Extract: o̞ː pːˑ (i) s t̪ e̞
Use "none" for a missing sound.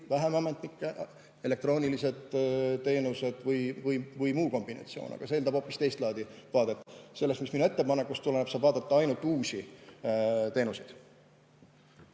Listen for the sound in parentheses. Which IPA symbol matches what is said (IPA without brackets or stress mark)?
i